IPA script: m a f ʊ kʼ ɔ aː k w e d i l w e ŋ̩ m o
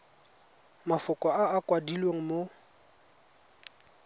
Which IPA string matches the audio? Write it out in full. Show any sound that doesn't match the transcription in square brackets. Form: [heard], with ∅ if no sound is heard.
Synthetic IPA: m a f ʊ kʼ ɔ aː k w [a] d i l w e ŋ̩ m o